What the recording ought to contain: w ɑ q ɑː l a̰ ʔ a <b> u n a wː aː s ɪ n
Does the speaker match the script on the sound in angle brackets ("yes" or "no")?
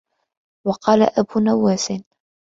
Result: yes